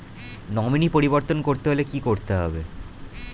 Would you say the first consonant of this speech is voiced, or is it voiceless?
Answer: voiced